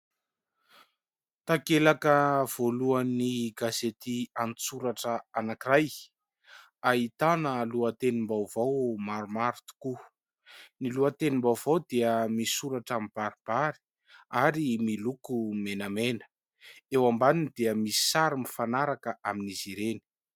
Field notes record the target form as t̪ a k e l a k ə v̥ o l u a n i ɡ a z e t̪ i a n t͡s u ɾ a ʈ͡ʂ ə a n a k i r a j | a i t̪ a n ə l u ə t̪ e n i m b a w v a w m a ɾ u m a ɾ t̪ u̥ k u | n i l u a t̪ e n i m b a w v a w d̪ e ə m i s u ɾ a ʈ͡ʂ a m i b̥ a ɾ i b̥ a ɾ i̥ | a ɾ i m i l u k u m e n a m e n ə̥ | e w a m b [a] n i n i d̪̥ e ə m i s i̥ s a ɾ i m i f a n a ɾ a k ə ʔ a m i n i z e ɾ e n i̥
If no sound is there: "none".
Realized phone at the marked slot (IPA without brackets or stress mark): a